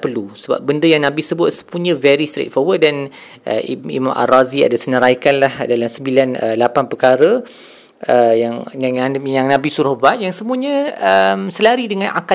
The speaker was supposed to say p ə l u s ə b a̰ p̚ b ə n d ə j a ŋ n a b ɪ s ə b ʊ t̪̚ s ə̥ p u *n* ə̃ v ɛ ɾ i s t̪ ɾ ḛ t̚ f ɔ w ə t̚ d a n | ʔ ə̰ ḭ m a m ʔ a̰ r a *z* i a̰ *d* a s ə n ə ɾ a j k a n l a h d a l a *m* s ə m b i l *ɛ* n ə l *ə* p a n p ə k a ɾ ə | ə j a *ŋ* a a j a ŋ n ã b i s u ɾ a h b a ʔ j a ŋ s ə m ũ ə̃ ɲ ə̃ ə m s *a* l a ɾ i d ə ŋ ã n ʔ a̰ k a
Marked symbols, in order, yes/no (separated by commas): no, yes, yes, yes, no, no, yes, no